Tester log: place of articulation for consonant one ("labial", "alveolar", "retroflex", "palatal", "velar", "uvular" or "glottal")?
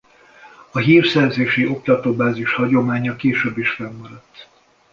glottal